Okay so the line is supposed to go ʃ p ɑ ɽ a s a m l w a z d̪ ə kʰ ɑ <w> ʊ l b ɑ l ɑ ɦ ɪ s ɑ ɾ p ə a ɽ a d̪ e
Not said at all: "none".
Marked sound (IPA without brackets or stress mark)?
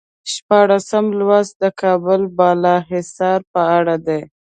b